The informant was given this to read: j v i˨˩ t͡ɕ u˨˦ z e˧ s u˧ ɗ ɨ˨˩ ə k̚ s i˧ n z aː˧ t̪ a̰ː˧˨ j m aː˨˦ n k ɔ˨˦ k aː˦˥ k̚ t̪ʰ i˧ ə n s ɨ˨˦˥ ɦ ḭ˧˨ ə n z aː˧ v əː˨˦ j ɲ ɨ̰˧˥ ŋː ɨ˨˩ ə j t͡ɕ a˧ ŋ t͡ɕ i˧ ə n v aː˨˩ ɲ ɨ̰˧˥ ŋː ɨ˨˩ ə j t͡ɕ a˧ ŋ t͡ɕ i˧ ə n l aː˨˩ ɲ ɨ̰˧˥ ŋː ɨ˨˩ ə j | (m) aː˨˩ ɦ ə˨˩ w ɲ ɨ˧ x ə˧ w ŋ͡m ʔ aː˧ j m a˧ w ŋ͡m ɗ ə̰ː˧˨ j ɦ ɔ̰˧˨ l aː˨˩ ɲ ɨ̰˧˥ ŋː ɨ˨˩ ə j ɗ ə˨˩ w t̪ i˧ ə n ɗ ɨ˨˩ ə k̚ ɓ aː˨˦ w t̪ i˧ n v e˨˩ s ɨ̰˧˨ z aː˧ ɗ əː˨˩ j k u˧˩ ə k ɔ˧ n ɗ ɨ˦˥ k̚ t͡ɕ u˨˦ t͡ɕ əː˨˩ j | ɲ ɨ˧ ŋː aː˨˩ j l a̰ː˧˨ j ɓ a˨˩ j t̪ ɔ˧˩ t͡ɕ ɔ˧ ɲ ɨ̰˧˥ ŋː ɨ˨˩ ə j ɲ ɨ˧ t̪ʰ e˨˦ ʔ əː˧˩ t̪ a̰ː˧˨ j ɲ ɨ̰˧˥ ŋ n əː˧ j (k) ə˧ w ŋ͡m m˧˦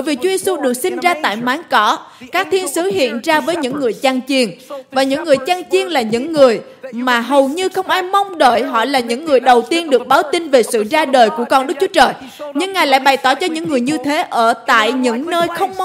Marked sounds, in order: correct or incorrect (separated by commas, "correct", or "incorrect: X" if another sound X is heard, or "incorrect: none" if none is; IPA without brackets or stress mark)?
correct, incorrect: x